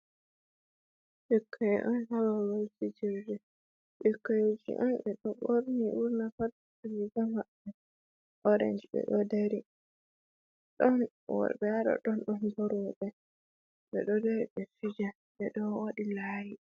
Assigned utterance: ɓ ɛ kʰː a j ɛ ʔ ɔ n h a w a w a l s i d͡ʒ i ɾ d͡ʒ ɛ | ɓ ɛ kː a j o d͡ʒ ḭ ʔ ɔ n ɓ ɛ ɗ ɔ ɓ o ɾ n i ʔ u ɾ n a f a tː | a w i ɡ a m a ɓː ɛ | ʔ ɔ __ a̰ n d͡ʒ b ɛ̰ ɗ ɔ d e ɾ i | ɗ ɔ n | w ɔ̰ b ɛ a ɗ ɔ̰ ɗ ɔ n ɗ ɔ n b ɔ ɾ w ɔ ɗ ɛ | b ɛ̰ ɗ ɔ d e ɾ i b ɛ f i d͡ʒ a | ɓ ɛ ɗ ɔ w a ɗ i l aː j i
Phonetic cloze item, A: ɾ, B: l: A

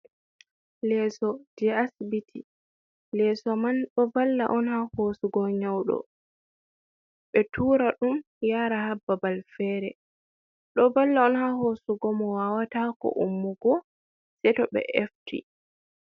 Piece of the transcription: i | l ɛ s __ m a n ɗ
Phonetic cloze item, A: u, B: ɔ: B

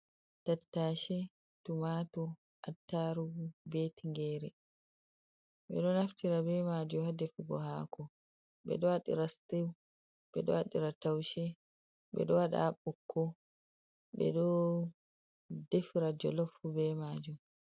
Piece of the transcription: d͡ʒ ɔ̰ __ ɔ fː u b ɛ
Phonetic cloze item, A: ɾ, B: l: B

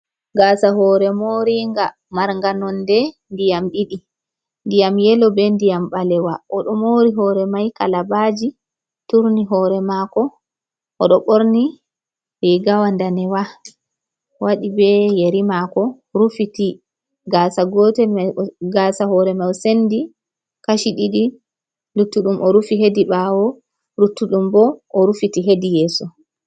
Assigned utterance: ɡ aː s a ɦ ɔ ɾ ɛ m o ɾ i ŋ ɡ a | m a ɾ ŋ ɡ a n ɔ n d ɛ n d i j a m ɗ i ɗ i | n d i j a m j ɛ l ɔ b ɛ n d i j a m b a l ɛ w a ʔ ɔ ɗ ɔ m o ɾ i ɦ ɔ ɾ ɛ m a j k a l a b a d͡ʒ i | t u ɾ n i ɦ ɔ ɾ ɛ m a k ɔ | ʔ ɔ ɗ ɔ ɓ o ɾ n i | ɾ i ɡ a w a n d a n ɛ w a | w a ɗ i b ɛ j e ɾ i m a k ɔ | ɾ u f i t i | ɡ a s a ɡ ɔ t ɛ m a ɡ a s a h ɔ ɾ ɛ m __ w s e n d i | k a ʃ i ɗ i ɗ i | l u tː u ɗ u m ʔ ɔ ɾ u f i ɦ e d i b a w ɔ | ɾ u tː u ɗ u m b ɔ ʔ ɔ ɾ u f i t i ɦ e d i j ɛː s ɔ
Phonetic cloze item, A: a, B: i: A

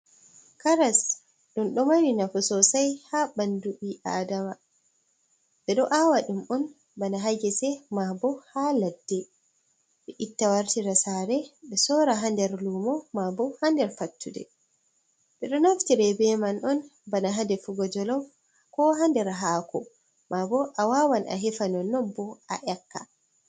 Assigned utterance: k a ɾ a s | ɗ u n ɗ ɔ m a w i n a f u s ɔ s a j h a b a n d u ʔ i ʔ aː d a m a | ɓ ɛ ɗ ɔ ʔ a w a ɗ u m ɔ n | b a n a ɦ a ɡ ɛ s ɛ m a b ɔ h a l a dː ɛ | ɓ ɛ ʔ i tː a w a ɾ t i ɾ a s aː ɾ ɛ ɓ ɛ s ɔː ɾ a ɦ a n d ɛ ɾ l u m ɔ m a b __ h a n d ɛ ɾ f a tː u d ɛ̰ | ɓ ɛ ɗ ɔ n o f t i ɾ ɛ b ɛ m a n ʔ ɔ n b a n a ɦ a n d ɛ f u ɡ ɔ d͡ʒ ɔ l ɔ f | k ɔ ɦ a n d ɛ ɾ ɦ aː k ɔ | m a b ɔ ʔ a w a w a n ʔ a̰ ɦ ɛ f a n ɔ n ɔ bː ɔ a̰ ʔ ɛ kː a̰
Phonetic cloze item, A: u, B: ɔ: B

